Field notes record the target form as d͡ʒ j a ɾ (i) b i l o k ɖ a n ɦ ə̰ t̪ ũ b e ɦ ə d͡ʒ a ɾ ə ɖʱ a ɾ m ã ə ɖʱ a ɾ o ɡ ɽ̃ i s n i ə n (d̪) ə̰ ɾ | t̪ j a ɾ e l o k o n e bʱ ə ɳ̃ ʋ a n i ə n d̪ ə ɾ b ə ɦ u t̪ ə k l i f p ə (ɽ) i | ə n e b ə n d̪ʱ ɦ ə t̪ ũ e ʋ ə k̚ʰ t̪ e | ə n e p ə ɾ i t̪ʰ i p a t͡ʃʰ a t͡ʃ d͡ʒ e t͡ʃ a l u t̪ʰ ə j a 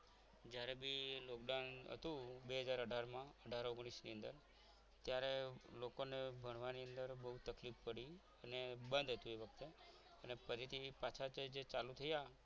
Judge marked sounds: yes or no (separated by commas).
no, yes, yes